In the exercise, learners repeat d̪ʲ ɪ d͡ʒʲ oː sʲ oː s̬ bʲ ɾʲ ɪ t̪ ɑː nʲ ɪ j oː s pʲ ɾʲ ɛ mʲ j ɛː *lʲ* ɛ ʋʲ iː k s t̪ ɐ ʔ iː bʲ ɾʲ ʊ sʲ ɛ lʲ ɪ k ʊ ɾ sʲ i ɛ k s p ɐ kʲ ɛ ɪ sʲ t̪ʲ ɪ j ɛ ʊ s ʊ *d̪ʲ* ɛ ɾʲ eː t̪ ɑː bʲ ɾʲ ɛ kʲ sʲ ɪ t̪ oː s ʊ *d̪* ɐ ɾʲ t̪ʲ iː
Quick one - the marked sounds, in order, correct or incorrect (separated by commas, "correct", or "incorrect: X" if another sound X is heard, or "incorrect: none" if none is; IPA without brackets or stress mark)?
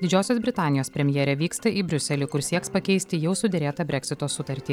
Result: incorrect: ɾʲ, correct, incorrect: t̪